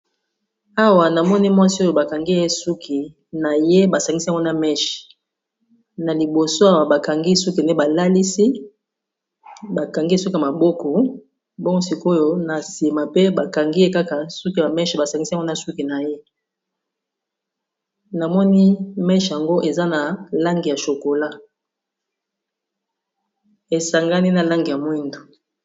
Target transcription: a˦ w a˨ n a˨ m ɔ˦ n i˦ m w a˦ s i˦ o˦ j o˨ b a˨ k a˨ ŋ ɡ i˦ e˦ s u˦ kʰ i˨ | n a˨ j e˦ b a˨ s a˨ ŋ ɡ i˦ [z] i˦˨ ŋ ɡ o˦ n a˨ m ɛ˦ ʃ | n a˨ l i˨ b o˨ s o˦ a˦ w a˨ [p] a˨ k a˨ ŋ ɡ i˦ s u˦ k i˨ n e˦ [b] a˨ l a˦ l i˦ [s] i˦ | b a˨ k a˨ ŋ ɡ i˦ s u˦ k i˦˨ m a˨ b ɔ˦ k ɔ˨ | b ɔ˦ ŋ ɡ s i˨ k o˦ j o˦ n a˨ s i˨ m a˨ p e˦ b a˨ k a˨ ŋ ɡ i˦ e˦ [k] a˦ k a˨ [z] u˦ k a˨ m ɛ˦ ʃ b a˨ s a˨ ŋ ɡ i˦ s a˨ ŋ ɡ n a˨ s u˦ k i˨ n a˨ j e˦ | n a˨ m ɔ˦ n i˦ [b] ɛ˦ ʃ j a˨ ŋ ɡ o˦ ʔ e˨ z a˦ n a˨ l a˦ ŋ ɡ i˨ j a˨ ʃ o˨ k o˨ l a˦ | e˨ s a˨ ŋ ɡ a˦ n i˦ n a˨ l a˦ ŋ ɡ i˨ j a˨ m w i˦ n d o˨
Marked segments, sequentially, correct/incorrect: incorrect: s, incorrect: b, correct, correct, correct, incorrect: s, incorrect: m

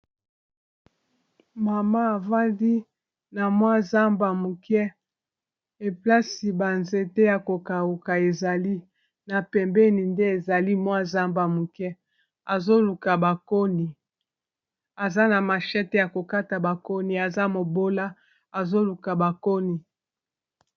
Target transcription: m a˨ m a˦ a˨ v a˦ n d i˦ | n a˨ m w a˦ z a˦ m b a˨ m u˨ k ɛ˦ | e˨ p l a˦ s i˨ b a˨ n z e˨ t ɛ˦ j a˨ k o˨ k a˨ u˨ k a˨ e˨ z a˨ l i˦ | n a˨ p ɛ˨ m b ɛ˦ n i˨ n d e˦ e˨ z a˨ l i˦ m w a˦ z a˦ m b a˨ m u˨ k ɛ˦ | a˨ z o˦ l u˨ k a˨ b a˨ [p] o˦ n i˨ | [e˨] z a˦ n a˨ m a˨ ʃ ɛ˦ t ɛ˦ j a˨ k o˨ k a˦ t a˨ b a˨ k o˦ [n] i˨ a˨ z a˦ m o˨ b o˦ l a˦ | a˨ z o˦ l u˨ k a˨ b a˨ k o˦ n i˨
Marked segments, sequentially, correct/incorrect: incorrect: k, incorrect: a˨, correct

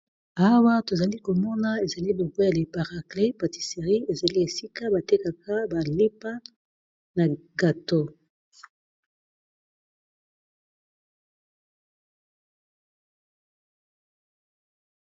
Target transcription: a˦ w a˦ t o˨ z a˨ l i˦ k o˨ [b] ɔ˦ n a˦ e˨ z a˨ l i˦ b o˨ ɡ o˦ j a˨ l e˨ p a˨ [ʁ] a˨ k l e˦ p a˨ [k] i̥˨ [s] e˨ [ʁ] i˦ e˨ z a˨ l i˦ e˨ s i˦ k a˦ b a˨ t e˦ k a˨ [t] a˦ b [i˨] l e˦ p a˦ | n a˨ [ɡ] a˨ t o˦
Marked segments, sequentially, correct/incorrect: incorrect: m, correct, incorrect: t, correct, correct, incorrect: k, incorrect: a˨, correct

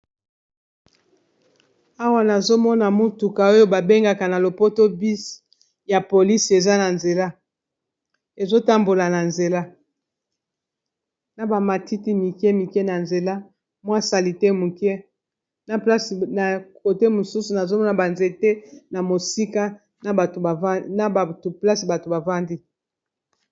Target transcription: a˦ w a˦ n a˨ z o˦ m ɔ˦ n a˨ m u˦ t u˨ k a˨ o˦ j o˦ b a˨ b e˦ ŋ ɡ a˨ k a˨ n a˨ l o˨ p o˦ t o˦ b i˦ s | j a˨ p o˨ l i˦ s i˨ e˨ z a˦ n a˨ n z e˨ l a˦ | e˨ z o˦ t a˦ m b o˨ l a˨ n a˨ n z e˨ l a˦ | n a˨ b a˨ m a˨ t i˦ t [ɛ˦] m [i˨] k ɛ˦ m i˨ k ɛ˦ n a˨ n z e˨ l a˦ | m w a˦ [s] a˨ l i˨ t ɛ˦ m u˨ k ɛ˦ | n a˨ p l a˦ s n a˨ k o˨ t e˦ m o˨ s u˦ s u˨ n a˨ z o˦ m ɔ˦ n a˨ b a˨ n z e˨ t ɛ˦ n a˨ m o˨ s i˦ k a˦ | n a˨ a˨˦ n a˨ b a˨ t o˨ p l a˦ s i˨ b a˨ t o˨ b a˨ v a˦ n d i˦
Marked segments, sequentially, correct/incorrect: incorrect: i˦, correct, correct

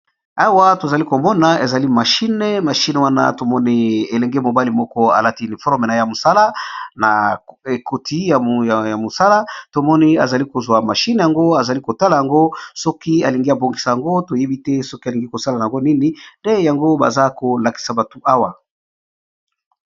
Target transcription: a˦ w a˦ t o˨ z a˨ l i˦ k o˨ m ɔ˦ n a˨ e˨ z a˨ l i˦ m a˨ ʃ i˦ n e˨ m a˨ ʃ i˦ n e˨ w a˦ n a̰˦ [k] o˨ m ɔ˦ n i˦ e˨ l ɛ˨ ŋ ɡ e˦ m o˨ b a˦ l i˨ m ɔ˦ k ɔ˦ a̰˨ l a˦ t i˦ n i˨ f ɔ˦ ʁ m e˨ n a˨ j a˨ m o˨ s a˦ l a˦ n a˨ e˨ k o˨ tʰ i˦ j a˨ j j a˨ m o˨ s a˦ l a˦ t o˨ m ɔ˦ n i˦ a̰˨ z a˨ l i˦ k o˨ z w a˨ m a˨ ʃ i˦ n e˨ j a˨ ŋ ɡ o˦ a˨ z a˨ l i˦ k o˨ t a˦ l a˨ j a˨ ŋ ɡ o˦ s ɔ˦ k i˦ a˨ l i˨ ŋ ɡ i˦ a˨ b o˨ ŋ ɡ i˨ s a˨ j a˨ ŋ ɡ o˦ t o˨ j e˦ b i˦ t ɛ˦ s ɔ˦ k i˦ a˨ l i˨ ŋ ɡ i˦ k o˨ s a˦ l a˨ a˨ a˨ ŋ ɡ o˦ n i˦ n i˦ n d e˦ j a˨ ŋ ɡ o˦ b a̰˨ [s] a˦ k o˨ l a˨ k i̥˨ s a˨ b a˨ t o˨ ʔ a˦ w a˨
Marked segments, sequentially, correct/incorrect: incorrect: t, incorrect: z

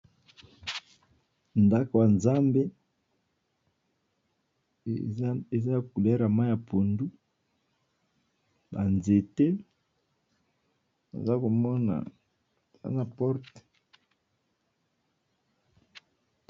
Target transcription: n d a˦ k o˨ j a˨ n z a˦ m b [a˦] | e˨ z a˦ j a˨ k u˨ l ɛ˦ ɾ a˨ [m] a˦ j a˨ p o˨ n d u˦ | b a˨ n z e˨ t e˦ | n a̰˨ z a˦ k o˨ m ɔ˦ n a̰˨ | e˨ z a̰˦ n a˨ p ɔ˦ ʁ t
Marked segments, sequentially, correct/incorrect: incorrect: e˦, correct

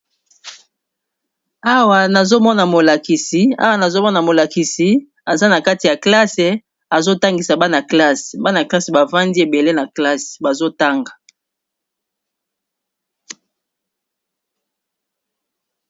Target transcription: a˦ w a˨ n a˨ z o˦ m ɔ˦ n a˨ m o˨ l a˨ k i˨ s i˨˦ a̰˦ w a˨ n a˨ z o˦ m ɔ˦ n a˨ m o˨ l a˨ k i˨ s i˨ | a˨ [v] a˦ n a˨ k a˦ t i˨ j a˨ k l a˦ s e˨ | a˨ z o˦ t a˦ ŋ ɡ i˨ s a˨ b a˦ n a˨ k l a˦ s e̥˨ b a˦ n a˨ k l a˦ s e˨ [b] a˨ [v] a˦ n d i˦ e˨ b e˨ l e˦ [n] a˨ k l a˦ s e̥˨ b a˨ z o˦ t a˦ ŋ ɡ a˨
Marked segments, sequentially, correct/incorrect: incorrect: z, correct, correct, correct

